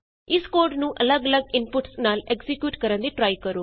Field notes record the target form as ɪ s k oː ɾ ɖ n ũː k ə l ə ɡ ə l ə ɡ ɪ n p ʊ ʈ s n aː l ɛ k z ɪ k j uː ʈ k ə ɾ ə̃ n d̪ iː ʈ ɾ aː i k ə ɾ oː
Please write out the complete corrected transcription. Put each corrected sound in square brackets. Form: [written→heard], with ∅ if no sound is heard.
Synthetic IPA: ɪ s k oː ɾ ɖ n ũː [k→ʔ] ə l ə ɡ ə l ə ɡ ɪ n p ʊ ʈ s n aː l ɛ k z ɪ k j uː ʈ k ə ɾ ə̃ n d̪ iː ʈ ɾ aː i k ə ɾ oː